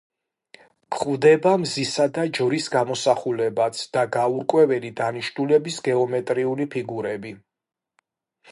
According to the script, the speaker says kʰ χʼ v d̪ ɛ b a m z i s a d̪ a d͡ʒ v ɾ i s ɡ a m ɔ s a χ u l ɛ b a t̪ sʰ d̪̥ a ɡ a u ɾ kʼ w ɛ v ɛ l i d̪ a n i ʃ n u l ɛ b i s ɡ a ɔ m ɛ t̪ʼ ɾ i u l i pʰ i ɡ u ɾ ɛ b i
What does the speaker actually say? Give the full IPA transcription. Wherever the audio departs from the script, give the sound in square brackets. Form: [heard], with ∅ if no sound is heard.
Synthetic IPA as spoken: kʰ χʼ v d̪ ɛ b a m z i s a d̪ a d͡ʒ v ɾ i s ɡ a m ɔ s a χ u l ɛ b a t̪ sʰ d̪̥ a ɡ a u ɾ kʼ w ɛ v ɛ l i d̪ a n i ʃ n u l ɛ b i s ɡ [ɛ] ɔ m ɛ t̪ʼ ɾ i u l i pʰ i ɡ u ɾ ɛ b i